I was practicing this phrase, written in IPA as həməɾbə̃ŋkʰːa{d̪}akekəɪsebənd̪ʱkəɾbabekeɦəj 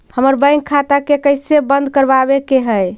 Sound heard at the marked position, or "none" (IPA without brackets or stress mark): t̪